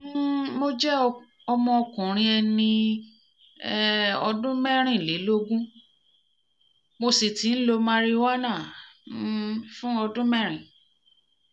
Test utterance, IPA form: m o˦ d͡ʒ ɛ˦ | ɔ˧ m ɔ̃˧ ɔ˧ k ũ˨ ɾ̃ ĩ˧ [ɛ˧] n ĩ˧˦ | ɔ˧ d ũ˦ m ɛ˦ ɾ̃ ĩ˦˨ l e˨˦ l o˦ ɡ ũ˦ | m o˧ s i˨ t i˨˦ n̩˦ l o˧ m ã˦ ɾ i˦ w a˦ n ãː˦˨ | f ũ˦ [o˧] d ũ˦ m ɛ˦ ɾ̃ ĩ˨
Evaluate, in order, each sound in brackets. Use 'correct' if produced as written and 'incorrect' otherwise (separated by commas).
correct, incorrect